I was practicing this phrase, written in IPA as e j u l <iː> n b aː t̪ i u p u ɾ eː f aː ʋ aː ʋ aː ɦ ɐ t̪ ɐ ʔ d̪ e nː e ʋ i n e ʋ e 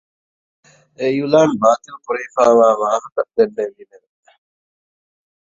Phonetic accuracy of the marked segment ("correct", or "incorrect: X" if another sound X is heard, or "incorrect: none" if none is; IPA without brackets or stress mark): incorrect: aː